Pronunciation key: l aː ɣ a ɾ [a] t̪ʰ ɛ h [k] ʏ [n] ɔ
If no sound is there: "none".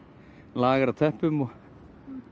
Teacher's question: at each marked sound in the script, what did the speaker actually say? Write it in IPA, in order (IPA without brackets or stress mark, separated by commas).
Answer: a, p, m